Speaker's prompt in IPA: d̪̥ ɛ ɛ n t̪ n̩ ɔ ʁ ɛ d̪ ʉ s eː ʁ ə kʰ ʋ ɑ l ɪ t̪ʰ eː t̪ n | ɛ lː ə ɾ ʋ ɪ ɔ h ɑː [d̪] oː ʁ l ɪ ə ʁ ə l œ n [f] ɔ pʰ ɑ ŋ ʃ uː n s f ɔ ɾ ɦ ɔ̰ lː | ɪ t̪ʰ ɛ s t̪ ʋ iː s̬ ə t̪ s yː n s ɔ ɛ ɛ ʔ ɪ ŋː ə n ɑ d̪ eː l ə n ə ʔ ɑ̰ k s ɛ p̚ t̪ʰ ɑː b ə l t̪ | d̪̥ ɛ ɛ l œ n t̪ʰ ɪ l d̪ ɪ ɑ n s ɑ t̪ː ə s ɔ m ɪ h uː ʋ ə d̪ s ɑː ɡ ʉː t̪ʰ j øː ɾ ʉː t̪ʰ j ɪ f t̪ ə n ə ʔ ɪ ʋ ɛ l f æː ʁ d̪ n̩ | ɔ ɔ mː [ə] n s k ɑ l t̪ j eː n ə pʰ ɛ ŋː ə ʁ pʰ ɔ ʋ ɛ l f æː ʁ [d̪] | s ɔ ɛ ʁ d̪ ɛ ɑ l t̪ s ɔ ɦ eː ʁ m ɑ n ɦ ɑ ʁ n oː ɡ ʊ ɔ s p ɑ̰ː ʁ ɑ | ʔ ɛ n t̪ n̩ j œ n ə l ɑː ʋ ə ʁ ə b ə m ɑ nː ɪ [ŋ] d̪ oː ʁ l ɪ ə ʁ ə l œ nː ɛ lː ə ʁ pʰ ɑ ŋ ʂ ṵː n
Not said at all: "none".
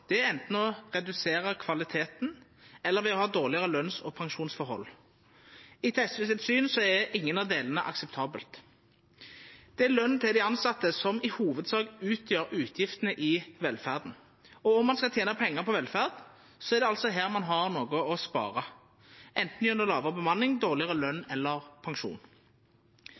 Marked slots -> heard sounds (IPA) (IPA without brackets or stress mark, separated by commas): d̪, s, ɑ, d̪, ŋ